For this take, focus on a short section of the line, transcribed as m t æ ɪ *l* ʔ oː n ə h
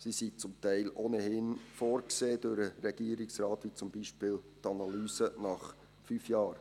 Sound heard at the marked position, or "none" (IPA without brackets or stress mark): l